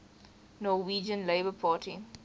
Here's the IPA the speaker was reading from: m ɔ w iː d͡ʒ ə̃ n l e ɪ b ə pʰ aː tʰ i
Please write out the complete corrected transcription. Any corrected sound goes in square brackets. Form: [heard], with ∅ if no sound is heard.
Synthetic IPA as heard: [n] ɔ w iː d͡ʒ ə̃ n l e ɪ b ə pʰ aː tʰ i